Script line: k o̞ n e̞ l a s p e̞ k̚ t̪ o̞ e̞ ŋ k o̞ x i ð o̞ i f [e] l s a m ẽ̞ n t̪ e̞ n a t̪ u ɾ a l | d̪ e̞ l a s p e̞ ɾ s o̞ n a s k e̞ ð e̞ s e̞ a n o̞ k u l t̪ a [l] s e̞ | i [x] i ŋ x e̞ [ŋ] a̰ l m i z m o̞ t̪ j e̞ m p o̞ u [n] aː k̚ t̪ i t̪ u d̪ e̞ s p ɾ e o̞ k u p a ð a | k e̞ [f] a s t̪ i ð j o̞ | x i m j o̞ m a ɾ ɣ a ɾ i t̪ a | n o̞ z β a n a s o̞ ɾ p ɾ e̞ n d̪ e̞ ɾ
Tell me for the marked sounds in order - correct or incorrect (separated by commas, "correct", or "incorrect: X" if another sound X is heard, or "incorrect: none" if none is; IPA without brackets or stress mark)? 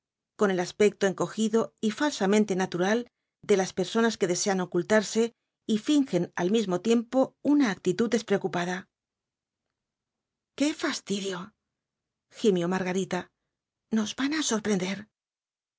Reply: incorrect: a, incorrect: ɾ, incorrect: f, incorrect: n, correct, correct